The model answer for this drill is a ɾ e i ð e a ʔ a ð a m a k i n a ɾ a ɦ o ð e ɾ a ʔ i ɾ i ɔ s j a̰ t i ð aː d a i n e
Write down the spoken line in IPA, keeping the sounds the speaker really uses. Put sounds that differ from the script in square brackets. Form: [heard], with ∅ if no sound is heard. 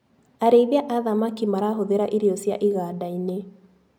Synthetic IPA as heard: a ɾ e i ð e a ʔ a ð a m a k i [m] a ɾ a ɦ o ð e ɾ a ʔ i ɾ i ɔ s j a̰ [ʔ] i [ɣ] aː d a i n e